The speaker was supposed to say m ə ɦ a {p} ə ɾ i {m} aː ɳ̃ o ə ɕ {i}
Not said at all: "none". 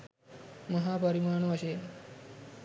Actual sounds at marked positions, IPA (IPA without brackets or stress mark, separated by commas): p, m, e